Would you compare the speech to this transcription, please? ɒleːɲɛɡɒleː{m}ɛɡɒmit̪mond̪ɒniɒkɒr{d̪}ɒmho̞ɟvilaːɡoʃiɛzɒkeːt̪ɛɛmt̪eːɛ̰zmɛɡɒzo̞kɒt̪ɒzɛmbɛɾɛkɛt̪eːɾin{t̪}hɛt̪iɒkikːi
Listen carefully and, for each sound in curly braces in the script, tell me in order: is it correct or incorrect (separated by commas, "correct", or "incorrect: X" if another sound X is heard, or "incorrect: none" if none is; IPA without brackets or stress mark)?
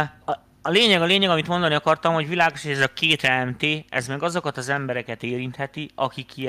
incorrect: ɲ, incorrect: t̪, correct